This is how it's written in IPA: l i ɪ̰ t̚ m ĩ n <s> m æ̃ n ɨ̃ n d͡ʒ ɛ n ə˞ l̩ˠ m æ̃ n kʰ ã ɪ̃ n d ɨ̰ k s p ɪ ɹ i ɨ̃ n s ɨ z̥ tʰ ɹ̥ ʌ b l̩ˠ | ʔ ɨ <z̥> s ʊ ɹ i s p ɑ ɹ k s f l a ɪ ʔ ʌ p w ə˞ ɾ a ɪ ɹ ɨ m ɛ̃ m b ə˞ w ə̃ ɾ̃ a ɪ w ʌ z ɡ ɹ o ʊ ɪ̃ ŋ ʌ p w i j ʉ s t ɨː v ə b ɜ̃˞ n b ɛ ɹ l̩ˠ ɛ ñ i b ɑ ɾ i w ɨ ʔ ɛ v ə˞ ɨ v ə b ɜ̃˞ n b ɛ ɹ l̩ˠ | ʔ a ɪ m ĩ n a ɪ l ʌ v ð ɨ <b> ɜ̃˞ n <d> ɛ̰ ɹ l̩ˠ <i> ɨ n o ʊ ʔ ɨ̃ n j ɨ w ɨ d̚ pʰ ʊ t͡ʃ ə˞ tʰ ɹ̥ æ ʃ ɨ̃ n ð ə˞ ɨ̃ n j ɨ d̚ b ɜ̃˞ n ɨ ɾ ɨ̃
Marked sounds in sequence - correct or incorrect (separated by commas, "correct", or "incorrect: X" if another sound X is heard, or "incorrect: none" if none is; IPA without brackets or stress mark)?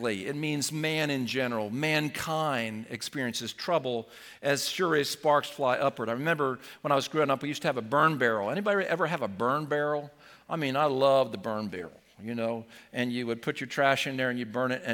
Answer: incorrect: z, correct, correct, incorrect: b, incorrect: j